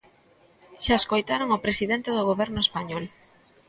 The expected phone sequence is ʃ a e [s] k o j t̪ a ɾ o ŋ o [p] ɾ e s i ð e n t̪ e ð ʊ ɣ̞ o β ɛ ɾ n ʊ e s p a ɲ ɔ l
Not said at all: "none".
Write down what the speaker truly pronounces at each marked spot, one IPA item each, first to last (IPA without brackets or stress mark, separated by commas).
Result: s, p